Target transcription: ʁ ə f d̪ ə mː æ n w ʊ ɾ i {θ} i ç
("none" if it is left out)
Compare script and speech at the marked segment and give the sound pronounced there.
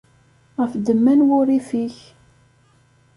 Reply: f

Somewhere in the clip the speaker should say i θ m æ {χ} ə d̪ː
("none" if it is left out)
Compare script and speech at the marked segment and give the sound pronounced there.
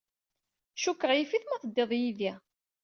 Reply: θ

